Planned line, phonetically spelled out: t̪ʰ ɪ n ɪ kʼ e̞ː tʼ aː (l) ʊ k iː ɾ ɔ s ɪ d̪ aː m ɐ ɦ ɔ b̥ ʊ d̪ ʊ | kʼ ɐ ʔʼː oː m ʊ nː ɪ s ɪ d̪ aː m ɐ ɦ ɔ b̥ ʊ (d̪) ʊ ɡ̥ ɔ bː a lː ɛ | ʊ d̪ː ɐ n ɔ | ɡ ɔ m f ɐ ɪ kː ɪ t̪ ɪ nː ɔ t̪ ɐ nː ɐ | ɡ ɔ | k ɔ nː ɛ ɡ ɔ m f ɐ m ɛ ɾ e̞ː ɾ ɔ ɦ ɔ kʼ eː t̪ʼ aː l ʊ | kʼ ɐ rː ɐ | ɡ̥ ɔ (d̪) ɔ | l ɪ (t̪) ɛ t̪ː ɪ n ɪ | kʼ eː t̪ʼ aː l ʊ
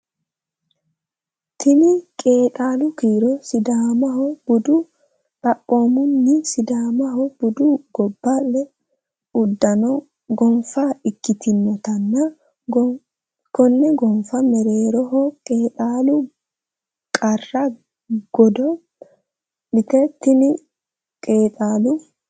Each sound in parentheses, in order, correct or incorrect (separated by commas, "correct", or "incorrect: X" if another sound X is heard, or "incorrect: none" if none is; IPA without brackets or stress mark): correct, correct, correct, correct